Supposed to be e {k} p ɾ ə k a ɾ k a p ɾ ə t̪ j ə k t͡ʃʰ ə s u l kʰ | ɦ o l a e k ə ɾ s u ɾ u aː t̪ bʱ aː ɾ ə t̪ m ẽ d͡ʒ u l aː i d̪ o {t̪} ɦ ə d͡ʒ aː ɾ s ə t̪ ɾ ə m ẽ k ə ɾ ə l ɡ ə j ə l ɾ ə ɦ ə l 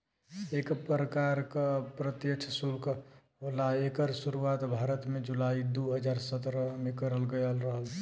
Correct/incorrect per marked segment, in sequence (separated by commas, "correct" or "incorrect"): correct, incorrect